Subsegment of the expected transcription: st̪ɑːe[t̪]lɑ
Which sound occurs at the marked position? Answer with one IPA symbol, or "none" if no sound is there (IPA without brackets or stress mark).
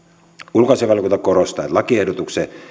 t̪